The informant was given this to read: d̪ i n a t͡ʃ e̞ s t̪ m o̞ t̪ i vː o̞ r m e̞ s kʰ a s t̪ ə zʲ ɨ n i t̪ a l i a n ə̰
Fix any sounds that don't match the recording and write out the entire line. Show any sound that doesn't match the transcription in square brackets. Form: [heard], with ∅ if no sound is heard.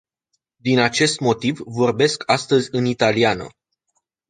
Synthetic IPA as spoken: d̪ i n a t͡ʃ e̞ s t̪ m o̞ t̪ i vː o̞ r [b] e̞ s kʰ a s t̪ ə zʲ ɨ n i t̪ a l i a n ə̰